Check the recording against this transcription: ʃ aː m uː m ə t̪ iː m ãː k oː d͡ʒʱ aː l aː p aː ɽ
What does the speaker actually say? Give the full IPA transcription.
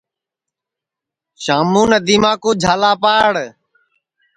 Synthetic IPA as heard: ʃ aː m uː n ə d̪ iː m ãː k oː d͡ʒʱ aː l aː p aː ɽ